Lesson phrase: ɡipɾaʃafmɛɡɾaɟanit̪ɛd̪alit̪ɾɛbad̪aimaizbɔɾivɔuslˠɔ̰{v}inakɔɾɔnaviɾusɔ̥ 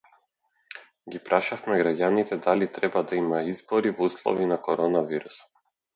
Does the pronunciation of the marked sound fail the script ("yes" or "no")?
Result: no